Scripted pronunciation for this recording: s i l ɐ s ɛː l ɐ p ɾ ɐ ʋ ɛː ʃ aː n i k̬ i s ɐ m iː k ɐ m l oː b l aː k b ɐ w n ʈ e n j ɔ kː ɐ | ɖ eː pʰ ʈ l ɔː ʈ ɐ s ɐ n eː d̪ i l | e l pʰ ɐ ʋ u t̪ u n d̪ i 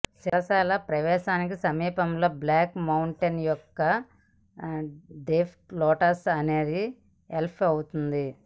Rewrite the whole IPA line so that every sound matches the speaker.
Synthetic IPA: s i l ɐ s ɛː l ɐ p ɾ ɐ ʋ ɛː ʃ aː n i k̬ i s ɐ m iː p ɐ m l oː b l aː k m ɐ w ɳ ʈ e n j ɔ kː ɐ | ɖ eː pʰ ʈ l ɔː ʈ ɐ s ɐ n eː d̪ i | e l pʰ ɐ w u t̪ u n d̪ i